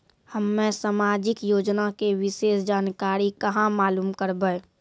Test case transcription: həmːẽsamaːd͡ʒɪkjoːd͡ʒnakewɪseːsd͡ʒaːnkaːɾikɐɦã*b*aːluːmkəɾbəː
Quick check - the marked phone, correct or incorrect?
incorrect